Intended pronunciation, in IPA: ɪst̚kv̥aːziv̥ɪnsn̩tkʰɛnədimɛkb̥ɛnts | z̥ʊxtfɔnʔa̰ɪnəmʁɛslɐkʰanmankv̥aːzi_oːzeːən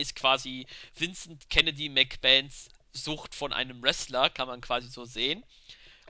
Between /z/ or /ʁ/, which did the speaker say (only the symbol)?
z